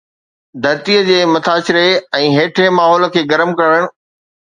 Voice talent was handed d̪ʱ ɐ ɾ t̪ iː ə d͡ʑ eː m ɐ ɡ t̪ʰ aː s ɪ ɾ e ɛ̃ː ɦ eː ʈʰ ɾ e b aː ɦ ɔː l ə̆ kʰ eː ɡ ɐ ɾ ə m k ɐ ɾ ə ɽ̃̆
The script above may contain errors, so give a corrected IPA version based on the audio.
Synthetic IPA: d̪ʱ ɐ ɾ t̪ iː ə d͡ʑ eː m ɐ t̪ʰ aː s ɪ ɾ e ɛ̃ː ɦ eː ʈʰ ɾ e m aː ɦ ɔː l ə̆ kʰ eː ɡ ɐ ɾ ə m k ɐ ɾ ə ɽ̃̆

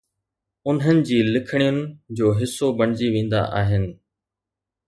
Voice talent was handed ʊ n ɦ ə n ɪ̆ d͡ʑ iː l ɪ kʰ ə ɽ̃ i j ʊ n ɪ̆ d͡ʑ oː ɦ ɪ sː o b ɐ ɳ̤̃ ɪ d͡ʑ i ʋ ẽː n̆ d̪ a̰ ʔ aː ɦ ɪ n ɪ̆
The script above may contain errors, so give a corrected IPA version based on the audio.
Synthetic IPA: ʊ n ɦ ə n ɪ̆ d͡ʑ iː l ɪ kʰ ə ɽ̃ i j ʊ n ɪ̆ d͡ʑ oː ɦ ɪ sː o b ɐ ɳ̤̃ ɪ d͡ʑ i ʋ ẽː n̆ d̪ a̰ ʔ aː ɦ ɪ n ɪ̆

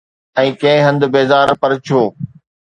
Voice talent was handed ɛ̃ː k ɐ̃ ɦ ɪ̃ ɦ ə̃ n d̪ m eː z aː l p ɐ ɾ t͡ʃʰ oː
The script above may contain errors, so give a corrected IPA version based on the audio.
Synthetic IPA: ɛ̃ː k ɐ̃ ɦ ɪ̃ ɦ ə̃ n d̪ b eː z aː ɾ p ɐ ɾ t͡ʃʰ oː

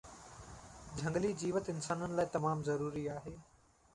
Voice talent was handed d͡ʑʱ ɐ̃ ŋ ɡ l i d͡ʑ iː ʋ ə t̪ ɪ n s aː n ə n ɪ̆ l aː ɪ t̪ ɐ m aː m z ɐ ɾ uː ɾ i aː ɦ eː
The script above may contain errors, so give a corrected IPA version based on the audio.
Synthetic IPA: d͡ʑʱ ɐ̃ ŋ ɡ l i d͡ʑ iː ʋ ə t̪ ɪ n s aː n ə n ɪ̆ l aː ɪ t̪ ɐ m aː m z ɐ ɾ uː ɾ i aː ɦ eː

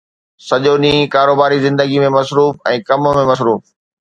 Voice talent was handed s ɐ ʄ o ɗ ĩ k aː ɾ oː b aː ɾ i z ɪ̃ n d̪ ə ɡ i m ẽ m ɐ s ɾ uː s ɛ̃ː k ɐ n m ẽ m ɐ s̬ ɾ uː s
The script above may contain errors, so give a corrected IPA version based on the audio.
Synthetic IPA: s ɐ ʄ o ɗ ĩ k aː ɾ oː b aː ɾ i z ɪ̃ n d̪ ə ɡ i m ẽ m ɐ s ɾ uː f ɛ̃ː k ɐ m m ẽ m ɐ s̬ ɾ uː f

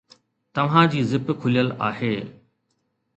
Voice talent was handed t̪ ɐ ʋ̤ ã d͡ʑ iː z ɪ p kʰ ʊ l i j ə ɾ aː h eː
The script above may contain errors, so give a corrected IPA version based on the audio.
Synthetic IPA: t̪ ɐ ʋ̤ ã d͡ʑ iː z ɪ p kʰ ʊ l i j ə l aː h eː

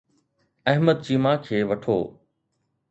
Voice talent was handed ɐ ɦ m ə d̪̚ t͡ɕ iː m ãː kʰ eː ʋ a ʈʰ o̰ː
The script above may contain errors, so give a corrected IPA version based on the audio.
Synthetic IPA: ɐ ɦ m ə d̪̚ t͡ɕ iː m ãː kʰ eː ʋ ɐ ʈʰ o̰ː

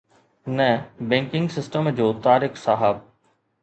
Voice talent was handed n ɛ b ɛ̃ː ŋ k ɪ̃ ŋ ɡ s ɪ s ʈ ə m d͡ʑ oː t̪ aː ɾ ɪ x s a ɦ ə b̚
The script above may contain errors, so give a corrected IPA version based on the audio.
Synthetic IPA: n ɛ b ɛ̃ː ŋ k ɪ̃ ŋ ɡ s ɪ s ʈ ə m d͡ʑ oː t̪ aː ɾ ɪ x s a ɦ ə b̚

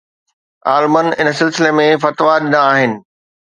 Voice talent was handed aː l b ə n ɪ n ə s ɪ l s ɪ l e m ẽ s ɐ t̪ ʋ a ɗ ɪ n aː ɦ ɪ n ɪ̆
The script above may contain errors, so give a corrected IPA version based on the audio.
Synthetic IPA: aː l m ə n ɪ n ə s ɪ l s ɪ l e m ẽ f ɐ t̪ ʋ a ɗ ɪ n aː ɦ ɪ n ɪ̆

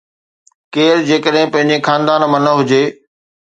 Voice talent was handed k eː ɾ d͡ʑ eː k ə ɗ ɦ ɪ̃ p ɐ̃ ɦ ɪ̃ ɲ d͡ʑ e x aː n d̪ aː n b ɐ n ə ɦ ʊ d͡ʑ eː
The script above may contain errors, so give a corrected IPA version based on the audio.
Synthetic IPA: k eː ɾ d͡ʑ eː k ə ɗ ɦ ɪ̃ p ɐ̃ ɦ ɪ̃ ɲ d͡ʑ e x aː n d̪ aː n m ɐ n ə ɦ ʊ d͡ʑ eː

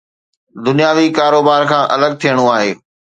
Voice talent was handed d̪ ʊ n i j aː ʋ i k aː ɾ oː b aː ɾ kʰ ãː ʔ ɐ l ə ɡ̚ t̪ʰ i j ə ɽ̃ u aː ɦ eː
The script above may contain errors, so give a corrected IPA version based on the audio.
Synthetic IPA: d̪ ʊ n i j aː ʋ i k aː ɾ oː b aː ɾ kʰ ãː ʔ ɐ l ə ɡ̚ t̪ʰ i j ə ɽ̃ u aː ɦ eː

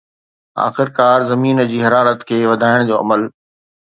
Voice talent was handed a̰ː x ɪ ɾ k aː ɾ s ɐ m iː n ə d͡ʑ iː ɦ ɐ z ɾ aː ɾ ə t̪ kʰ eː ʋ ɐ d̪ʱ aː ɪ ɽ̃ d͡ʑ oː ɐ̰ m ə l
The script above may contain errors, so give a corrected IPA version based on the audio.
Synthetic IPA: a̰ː x ɪ ɾ k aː ɾ z ɐ m iː n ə d͡ʑ iː ɦ ɐ ɾ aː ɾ ə t̪ kʰ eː ʋ ɐ d̪ʱ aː ɪ ɽ̃ d͡ʑ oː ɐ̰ m ə l

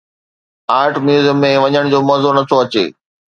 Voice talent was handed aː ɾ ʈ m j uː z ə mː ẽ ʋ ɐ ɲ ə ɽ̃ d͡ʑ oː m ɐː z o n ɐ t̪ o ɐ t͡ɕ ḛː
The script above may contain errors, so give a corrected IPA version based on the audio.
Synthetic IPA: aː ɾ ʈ m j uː z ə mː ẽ ʋ ɐ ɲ ə ɽ̃ d͡ʑ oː m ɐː z o n ɐ t̪ʰ o ɐ t͡ɕ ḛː

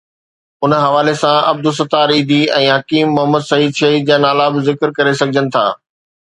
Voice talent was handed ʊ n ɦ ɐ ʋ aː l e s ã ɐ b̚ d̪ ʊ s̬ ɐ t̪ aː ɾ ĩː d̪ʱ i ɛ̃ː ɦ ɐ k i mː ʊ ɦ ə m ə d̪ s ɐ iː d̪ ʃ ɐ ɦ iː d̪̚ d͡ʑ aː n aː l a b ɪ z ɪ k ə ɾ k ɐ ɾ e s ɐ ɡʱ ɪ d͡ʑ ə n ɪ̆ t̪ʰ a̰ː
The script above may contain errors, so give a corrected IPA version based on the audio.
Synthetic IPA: ʊ n ɦ ɐ ʋ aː l e s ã ɐ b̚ d̪ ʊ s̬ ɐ t̪ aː ɾ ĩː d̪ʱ i ɛ̃ː ɦ ɐ k iː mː ʊ ɦ ə m ə d̪ s ɐ iː d̪ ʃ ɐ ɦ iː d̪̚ d͡ʑ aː n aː l a b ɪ z ɪ k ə ɾ k ɐ ɾ e s ɐ ɡʱ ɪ d͡ʑ ə n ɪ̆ t̪ʰ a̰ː

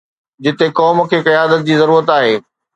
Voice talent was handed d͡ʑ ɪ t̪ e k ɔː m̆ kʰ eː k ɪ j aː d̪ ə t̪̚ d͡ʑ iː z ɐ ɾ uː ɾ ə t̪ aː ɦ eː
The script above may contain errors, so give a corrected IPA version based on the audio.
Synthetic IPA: d͡ʑ ɪ t̪ e k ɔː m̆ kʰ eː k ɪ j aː d̪ ə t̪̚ d͡ʑ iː z ɐ ɾ uː ɾ ə t̪ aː ɦ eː

